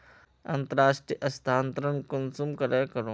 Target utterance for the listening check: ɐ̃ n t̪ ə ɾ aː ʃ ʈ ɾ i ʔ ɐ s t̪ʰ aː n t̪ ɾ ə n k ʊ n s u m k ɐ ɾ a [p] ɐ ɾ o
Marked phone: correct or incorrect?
incorrect: k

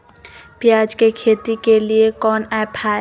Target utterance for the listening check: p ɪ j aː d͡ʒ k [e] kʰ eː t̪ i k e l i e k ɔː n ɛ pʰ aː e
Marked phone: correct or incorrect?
correct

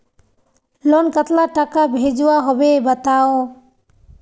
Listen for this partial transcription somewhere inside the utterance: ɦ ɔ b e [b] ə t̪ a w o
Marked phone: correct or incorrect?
correct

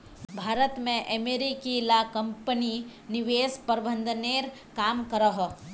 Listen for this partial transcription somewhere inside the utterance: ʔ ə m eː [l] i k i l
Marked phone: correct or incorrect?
incorrect: ɾ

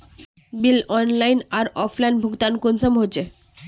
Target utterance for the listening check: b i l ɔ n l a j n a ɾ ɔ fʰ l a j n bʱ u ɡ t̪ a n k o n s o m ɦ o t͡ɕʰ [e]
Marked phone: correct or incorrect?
correct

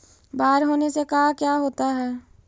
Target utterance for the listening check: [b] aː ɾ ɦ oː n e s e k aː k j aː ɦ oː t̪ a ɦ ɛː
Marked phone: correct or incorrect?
correct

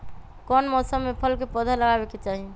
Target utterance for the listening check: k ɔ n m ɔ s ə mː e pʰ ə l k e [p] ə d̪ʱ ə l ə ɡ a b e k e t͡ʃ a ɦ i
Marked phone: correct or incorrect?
correct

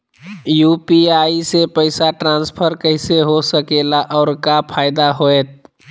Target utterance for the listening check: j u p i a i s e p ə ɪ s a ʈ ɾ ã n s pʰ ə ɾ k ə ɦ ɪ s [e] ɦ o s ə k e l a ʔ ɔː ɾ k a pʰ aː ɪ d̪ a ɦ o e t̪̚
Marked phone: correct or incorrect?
correct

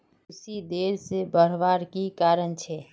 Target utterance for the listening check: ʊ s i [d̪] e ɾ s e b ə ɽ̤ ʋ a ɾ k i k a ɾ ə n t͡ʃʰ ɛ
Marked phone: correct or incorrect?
correct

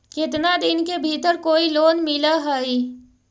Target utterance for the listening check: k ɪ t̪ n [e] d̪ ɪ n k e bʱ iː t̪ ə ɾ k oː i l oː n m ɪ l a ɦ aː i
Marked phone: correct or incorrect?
incorrect: a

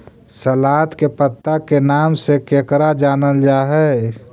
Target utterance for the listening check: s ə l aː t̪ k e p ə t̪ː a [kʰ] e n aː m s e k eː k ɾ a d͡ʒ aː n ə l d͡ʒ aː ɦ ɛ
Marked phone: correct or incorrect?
incorrect: k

